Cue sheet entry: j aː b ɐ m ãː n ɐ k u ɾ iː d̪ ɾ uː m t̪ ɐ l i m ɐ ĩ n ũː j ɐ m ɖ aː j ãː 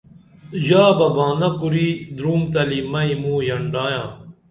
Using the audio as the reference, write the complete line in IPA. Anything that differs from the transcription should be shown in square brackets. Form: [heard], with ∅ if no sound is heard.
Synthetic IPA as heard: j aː b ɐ [b] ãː n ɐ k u ɾ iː d̪ ɾ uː m t̪ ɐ l i m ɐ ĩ [m] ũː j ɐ [ɳ] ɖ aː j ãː